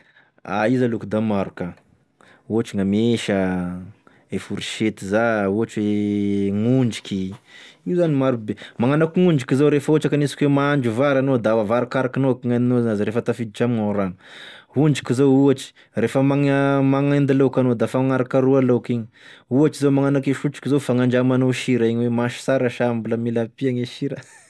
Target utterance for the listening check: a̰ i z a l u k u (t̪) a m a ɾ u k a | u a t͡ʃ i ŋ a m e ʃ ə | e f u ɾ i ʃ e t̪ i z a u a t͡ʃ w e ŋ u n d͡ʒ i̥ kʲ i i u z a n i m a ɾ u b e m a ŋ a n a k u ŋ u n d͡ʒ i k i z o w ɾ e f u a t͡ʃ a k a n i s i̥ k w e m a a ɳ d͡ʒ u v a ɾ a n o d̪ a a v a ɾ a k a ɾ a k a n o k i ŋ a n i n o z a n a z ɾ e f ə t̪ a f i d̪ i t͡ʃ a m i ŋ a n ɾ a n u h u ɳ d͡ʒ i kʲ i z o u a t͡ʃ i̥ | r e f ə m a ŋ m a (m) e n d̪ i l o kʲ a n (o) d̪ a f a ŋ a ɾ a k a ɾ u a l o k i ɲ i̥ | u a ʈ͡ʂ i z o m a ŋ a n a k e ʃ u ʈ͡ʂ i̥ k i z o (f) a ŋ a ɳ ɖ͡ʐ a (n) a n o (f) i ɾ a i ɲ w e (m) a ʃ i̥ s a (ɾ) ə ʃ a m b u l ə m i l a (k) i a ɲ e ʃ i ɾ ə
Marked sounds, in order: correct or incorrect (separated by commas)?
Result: incorrect, incorrect, correct, correct, incorrect, incorrect, correct, correct, incorrect